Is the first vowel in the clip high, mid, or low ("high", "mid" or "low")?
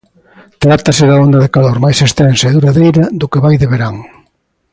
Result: low